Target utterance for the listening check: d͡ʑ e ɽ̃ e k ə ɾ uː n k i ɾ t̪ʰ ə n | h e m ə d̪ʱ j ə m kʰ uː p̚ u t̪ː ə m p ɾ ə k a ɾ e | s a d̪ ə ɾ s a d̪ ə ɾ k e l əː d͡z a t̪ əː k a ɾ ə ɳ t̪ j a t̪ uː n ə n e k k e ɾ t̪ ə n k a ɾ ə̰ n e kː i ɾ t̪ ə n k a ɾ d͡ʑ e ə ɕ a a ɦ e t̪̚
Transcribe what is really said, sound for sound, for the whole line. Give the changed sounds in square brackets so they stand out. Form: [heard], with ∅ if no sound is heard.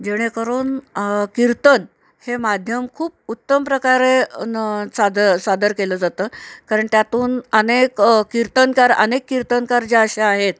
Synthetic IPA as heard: d͡ʑ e ɽ̃ e k ə ɾ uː n k i ɾ [t̪] ə n | h e m [a] d̪ʱ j ə m kʰ uː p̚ u t̪ː ə m p ɾ ə k a ɾ e | s a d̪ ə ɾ s a d̪ ə ɾ k e l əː d͡z a t̪ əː k a ɾ ə ɳ t̪ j a t̪ uː n ə n e k k [i] ɾ t̪ ə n k a ɾ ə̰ n e kː i ɾ t̪ ə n k a ɾ d͡ʑ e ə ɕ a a ɦ e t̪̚